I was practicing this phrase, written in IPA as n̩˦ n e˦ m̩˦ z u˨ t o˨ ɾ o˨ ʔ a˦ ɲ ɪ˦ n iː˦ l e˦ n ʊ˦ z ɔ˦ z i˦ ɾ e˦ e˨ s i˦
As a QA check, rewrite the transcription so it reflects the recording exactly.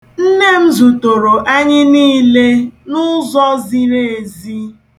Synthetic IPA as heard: n̩˦ n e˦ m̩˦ z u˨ t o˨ ɾ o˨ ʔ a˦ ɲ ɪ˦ n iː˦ l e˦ n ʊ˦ z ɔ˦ z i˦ ɾ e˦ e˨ z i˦